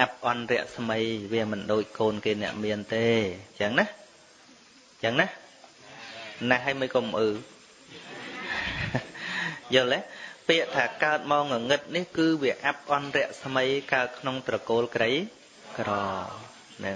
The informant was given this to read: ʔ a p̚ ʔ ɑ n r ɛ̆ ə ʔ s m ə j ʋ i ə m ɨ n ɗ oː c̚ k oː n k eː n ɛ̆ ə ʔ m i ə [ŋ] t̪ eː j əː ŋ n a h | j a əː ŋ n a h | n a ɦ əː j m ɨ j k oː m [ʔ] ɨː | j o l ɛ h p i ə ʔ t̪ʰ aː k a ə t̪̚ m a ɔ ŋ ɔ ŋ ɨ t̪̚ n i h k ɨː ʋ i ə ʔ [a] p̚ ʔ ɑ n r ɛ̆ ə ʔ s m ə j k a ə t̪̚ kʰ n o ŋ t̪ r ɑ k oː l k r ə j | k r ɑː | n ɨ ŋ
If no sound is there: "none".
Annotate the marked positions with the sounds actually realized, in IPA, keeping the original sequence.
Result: n, ʔ, a

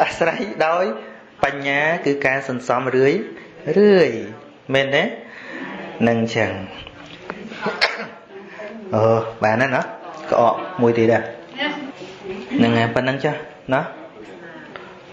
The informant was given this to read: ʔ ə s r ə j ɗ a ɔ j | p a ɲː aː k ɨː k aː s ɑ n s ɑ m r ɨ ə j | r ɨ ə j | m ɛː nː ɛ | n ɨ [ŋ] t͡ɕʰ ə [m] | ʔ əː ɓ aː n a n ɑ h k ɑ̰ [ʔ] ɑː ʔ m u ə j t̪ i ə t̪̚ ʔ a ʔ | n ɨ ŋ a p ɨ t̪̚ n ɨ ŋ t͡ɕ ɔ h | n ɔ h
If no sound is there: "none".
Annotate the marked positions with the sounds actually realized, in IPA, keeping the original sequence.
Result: ŋ, ŋ, ʔ

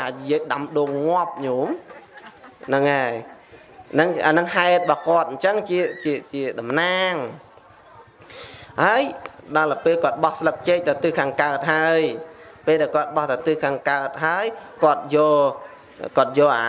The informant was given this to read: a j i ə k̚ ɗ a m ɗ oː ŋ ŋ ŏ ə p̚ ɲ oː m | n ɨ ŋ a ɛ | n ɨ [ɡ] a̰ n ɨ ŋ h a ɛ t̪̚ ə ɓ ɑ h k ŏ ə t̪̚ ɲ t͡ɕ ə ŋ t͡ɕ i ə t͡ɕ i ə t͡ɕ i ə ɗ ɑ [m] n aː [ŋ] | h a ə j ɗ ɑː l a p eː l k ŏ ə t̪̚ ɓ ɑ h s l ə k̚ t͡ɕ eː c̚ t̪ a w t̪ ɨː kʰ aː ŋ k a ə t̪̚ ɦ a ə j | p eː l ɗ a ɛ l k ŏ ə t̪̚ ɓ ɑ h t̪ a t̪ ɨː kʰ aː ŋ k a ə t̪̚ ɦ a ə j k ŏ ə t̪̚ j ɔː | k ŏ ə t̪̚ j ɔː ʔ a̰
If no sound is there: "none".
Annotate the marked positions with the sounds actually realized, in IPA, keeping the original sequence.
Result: ŋ, m, ŋ

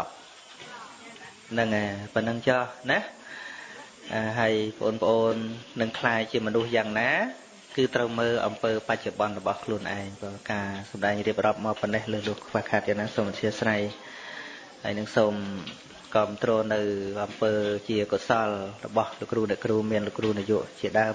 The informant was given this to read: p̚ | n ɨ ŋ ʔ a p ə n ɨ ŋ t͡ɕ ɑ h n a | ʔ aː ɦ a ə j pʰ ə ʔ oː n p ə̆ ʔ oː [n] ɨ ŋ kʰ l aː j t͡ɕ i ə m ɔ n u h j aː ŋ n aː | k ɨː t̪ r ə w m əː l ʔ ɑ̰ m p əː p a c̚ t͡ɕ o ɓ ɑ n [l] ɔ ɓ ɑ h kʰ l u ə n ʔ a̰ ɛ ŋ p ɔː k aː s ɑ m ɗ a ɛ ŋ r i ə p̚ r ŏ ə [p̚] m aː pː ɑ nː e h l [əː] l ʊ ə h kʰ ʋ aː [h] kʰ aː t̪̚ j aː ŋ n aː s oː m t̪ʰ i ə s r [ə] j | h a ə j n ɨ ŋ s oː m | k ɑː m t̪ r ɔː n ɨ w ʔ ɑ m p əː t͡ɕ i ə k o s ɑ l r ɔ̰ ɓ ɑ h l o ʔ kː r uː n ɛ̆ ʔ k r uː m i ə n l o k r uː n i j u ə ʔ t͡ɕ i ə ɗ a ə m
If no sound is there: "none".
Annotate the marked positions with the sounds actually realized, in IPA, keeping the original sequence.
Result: nː, r, p̚, əː, h, a

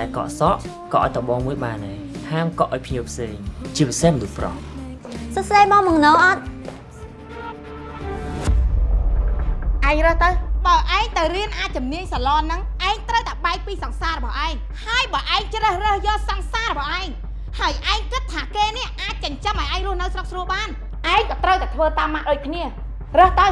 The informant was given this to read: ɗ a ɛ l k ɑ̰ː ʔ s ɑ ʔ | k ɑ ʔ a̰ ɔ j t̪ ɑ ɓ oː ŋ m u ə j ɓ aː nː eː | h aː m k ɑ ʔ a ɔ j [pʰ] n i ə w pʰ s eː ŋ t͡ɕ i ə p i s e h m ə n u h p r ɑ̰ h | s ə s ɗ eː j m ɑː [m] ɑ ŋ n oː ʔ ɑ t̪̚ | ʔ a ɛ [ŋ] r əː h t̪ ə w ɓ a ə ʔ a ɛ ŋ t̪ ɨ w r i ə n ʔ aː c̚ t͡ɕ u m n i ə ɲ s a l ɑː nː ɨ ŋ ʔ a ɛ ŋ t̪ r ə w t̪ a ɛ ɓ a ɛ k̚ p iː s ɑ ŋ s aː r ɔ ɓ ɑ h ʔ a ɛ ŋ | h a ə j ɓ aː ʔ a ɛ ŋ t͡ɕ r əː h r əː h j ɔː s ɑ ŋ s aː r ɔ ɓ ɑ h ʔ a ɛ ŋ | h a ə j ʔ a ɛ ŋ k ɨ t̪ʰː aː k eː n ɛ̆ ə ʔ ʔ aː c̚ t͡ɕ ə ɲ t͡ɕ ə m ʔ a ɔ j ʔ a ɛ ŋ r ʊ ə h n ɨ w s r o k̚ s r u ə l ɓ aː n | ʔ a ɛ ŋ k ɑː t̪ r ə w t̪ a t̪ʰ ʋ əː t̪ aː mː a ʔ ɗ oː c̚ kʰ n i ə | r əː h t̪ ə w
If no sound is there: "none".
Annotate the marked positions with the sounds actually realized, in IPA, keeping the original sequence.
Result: pʰ, m, ŋ

